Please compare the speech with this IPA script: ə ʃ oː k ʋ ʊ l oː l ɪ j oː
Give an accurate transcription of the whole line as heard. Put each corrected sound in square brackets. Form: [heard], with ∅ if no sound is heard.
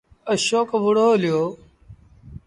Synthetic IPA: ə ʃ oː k ʋ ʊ [ɽ] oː l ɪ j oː

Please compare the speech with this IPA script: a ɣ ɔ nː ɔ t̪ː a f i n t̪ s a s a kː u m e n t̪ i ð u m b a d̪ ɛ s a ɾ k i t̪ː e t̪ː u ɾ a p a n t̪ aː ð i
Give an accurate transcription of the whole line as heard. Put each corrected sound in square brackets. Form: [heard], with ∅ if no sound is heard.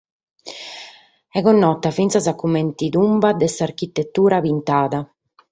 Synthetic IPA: [ɛ] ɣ ɔ nː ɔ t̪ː a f i n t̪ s a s a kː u m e n t̪ i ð u m b a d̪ ɛ s a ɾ k i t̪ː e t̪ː [uː] ɾ a p [i] n t̪ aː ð [a]

